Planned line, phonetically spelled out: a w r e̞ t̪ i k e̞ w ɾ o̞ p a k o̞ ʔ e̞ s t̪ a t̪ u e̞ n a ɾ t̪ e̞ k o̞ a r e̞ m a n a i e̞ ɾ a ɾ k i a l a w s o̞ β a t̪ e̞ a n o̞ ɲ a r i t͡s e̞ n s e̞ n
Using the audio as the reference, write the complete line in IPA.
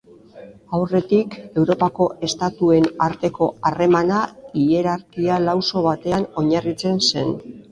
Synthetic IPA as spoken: a w r e̞ t̪ i k e̞ w ɾ o̞ p a k o̞ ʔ e̞ s t̪ a t̪ u e̞ n a ɾ t̪ e̞ k o̞ a r e̞ m a n a i e̞ ɾ a ɾ k i a l a w s o̞ β a t̪ e̞ a n o̞ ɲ a r i t͡s e̞ n s e̞ n